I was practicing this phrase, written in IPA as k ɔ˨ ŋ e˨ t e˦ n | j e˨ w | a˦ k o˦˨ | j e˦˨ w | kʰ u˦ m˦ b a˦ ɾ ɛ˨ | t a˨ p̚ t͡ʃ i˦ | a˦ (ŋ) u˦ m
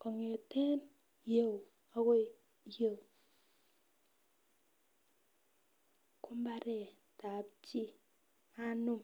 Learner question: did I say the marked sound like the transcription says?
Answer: no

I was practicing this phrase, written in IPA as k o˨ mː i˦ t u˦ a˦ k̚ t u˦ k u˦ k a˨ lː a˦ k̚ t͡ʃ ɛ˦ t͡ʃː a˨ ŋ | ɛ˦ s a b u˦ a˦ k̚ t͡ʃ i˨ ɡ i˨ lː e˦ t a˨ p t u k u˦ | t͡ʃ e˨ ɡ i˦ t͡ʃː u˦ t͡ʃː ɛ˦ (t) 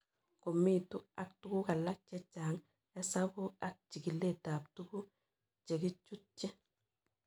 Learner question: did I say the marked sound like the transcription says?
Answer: no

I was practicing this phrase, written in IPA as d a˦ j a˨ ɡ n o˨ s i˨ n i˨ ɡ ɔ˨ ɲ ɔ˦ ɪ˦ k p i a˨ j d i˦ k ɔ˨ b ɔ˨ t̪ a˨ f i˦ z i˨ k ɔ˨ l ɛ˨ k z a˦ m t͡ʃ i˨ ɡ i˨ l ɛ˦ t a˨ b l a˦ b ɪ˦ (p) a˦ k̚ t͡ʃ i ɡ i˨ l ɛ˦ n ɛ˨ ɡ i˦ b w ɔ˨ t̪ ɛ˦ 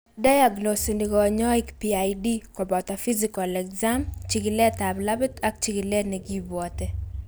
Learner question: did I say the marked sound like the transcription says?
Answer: no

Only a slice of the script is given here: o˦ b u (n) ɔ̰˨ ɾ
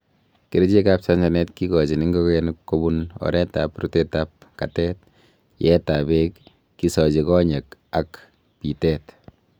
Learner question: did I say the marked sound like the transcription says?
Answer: yes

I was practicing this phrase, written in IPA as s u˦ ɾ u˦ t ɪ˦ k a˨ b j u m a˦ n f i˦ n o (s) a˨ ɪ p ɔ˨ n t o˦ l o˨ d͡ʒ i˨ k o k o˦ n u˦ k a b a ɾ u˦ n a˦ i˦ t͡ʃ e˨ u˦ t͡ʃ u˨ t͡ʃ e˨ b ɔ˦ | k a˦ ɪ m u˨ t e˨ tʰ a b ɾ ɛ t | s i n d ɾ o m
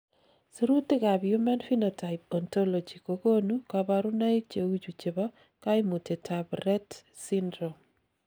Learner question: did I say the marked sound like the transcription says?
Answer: no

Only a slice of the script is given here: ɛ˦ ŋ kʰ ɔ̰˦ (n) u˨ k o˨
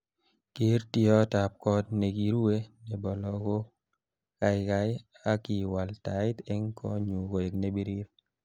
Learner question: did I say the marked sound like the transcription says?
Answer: no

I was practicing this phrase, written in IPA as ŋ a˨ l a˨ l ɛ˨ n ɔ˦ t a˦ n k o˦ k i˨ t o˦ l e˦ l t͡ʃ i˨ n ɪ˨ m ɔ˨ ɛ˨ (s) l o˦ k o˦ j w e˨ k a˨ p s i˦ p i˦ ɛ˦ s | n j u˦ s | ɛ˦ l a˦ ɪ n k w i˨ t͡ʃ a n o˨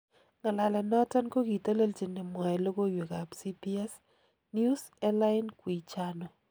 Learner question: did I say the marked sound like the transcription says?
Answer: no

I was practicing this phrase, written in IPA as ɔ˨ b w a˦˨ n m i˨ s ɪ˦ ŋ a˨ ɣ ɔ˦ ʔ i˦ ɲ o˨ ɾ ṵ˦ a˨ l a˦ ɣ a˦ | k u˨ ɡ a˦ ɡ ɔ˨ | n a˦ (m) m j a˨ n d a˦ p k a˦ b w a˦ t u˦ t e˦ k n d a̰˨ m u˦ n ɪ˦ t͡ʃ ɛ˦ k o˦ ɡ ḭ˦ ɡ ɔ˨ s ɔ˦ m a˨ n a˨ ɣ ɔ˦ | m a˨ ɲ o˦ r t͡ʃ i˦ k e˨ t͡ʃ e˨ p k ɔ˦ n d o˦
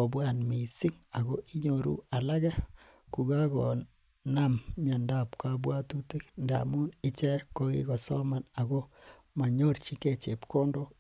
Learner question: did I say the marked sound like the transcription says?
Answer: yes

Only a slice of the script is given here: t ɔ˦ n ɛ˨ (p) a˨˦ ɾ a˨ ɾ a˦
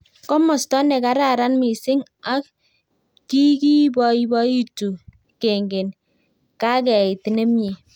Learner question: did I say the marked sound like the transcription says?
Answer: no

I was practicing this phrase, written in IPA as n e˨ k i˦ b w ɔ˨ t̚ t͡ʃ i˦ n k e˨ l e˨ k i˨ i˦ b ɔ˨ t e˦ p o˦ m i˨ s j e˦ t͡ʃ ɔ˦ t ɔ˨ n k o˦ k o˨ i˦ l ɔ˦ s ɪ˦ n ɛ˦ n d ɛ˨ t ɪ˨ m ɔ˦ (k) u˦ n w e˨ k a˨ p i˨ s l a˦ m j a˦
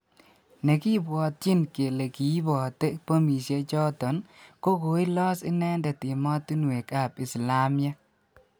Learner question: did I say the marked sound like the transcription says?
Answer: no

